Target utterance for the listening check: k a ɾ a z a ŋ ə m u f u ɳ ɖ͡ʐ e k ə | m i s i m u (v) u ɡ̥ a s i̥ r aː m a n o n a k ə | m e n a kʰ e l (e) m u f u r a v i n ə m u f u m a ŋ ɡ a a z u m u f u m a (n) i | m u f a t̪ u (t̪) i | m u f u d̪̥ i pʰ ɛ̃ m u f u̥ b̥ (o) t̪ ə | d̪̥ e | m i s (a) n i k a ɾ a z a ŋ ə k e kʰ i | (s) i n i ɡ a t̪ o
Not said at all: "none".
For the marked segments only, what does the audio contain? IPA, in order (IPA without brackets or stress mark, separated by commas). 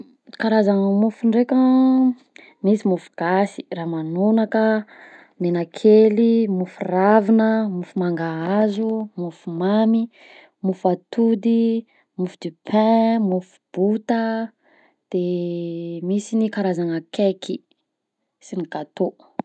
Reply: f, i, m, d̪, u, i, s